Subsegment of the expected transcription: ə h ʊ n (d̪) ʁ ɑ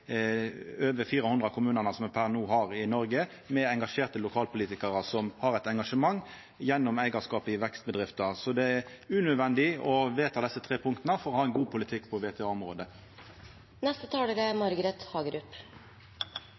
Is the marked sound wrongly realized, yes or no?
no